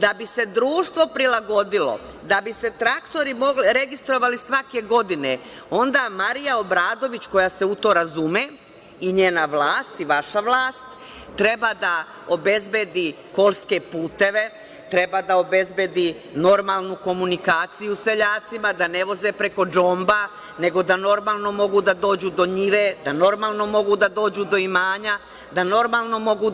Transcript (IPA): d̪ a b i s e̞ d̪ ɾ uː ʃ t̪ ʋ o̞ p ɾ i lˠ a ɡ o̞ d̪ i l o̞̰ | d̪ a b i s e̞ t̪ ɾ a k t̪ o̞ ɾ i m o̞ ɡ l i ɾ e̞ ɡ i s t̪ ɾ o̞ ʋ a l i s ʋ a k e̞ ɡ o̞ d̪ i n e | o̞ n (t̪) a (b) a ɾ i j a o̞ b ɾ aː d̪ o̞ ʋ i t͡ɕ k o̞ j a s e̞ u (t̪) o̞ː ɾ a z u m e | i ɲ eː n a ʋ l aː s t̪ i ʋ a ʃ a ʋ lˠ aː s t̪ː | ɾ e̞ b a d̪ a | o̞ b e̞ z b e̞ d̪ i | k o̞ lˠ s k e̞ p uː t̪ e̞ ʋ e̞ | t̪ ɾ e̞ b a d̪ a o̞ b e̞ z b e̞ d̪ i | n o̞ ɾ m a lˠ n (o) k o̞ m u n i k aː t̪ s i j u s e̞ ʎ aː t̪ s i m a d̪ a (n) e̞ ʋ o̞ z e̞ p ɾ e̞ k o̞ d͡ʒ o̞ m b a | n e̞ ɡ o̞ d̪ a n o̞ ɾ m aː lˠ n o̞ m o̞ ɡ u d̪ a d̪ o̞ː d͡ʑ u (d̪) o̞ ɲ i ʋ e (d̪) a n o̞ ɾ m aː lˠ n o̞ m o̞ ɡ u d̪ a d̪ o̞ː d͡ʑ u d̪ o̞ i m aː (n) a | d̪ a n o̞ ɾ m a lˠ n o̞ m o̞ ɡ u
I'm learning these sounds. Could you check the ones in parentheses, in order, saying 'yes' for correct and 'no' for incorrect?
no, no, yes, no, yes, yes, yes, no

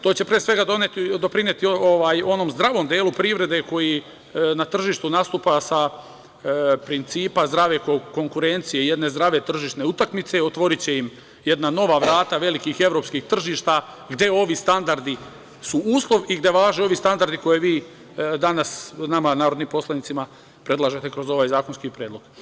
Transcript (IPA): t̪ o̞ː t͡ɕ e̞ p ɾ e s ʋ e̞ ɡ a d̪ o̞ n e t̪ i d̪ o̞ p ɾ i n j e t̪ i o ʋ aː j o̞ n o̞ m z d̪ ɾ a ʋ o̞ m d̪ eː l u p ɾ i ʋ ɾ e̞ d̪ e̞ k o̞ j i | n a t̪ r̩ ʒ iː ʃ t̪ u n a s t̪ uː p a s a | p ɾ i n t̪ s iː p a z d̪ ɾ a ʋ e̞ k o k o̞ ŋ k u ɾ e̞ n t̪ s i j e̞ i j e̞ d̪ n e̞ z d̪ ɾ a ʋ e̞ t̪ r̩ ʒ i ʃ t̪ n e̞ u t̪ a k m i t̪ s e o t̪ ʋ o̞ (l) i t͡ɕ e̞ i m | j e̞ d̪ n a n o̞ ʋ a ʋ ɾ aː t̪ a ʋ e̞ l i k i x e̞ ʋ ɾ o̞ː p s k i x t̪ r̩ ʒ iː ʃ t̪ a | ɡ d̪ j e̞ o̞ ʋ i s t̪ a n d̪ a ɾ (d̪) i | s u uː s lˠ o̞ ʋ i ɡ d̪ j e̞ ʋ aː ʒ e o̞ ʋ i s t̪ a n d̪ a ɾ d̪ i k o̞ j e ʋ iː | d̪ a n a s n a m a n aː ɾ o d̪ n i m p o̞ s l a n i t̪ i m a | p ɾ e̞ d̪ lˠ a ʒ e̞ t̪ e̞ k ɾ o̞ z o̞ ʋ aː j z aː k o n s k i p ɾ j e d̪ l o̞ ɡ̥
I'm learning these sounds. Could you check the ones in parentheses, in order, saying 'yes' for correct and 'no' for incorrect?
no, yes

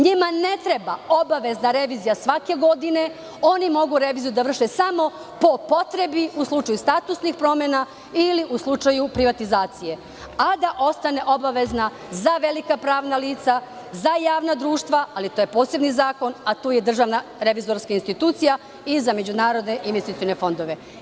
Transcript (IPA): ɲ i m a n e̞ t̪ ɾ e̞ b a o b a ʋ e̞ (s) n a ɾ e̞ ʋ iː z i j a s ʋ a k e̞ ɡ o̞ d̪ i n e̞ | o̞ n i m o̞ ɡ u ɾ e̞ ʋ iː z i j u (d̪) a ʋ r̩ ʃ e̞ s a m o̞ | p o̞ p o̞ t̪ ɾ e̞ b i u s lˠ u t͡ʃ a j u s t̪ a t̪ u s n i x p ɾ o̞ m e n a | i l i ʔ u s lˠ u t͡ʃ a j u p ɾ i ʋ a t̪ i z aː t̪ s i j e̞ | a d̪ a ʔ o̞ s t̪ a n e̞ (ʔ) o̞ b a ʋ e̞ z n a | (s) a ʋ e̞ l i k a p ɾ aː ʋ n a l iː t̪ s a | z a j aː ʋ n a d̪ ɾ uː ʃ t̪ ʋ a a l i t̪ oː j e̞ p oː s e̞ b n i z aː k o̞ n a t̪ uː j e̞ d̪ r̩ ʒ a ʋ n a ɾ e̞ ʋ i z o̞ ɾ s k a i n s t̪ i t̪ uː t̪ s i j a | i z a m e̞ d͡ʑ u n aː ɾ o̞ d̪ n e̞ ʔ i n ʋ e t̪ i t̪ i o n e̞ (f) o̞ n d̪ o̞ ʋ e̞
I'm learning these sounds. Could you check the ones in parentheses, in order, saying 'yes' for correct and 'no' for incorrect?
no, yes, yes, no, yes

